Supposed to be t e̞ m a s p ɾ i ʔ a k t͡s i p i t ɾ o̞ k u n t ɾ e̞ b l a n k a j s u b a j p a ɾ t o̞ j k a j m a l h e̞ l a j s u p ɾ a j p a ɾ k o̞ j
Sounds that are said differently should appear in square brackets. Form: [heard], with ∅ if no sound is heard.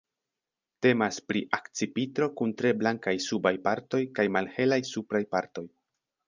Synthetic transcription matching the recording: t e̞ m a s p ɾ i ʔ a k t͡s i p i t ɾ o̞ k u n t ɾ e̞ b l a [ŋ] k a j s u b a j p a ɾ t o̞ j k a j m a l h e̞ l a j s u p ɾ a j p a ɾ [t] o̞ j